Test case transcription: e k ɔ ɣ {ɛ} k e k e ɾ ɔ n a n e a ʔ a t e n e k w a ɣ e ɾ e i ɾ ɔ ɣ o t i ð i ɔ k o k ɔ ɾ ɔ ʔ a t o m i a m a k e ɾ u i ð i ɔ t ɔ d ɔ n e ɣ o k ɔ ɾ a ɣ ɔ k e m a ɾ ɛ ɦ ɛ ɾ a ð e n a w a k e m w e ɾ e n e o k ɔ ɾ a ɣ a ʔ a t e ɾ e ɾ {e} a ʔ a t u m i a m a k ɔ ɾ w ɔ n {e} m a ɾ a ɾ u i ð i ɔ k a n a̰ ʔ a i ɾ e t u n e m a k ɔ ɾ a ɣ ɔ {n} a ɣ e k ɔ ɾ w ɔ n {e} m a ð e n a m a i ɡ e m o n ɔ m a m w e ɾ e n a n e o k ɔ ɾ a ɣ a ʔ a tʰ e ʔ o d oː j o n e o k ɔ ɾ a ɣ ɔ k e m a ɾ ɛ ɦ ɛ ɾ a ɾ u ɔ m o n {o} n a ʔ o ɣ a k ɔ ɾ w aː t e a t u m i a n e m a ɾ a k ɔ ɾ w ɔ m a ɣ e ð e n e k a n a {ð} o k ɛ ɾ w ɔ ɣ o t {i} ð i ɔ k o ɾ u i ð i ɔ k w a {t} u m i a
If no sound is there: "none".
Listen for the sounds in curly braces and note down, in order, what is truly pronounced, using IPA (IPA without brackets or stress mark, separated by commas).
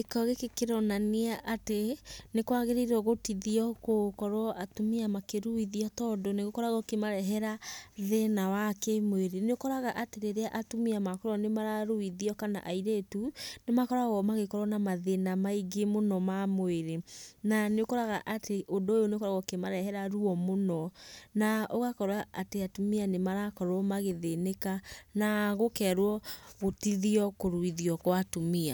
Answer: e, e, e, m, a, ɔ, ɣ, i, t